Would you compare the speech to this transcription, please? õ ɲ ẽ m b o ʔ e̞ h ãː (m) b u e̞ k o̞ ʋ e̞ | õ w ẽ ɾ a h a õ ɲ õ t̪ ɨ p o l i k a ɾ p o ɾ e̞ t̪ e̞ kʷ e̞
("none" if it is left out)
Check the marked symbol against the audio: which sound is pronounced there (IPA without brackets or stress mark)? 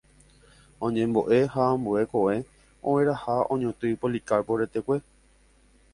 m